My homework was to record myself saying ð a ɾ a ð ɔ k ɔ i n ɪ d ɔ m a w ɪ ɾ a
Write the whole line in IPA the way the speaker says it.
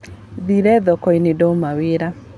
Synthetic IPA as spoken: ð i ɾ ɛ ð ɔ k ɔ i n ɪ d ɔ m a w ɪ ɾ a